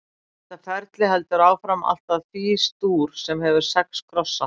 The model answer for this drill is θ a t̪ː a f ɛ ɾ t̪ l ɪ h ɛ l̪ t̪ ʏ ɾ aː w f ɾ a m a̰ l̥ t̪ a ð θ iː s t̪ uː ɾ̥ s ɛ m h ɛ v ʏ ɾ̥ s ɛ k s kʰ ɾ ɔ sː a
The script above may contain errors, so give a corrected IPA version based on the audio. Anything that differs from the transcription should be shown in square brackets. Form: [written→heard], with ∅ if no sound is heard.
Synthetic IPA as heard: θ [a→ɛ] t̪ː a f ɛ ɾ t̪ l ɪ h ɛ l̪ t̪ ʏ ɾ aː w f ɾ a m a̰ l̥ t̪ a ð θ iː s t̪ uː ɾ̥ s ɛ m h ɛ v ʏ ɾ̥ s ɛ k s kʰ ɾ ɔ sː a